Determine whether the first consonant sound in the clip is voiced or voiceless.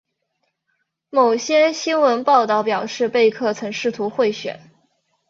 voiced